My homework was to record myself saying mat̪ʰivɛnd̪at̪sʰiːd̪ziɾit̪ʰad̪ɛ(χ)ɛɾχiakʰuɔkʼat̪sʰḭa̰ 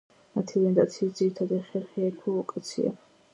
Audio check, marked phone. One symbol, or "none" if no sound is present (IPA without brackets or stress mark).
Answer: χ